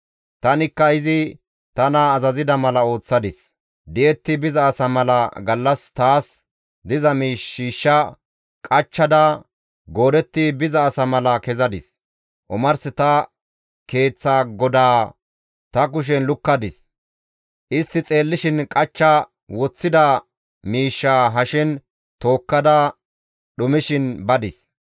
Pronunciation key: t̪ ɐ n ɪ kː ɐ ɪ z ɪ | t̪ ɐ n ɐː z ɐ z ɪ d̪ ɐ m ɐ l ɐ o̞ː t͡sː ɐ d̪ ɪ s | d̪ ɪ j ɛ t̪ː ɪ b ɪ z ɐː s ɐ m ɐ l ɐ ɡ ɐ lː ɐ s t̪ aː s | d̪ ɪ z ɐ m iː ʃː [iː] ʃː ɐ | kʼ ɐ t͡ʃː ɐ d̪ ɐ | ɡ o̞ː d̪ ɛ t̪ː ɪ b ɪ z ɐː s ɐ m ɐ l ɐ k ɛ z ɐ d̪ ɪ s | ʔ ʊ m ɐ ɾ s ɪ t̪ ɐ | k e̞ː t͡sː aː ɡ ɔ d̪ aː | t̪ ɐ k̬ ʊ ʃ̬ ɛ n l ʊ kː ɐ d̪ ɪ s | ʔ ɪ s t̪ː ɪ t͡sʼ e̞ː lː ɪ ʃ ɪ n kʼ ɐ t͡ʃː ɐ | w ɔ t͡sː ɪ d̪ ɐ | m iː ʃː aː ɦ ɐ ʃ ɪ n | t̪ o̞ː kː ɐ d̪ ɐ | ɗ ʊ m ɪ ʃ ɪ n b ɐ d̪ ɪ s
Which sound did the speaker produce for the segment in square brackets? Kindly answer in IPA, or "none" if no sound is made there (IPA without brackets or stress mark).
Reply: iː